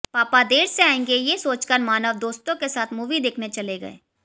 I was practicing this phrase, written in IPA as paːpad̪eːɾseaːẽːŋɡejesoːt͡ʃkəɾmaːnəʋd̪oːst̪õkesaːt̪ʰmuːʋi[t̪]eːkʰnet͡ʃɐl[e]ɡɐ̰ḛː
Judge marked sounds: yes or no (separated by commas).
no, yes